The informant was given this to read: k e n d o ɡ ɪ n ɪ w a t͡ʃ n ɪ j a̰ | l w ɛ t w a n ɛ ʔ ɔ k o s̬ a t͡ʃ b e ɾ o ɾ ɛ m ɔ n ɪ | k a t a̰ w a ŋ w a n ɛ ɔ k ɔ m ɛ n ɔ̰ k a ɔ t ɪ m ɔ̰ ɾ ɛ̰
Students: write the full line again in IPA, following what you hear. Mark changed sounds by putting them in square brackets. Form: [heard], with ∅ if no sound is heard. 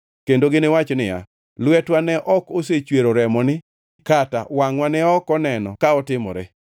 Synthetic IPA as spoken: k e n d o ɡ ɪ n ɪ w a t͡ʃ n ɪ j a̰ | l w ɛ t w a n ɛ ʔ ɔ k o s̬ [e] t͡ʃ [w] e ɾ o ɾ ɛ m ɔ n ɪ | k a t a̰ w a ŋ w a n ɛ ɔ k ɔ [n] ɛ n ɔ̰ k a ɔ t ɪ m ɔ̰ ɾ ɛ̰